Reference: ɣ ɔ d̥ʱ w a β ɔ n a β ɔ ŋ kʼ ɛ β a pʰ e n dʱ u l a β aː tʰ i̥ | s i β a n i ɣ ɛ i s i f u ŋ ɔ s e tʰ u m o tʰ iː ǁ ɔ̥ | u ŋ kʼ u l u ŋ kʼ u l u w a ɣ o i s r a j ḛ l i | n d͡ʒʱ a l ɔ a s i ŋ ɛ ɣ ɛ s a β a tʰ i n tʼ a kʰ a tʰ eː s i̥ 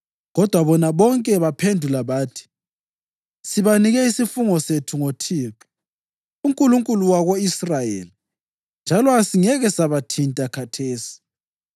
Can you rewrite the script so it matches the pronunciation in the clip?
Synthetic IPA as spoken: ɣ ɔ d̥ʱ w a β ɔ n a β ɔ ŋ kʼ ɛ β a pʰ e n dʱ u l a β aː tʰ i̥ | s i β a n i ɣ ɛ i s i f u ŋ ɔ s e tʰ u ŋ o tʰ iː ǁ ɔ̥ | u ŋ kʼ u l u ŋ kʼ u l u w a ɣ o i s r a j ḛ l i | n d͡ʒʱ a l ɔ a s i ŋ ɛ ɣ ɛ s a β a tʰ i n tʼ a kʰ a tʰ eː s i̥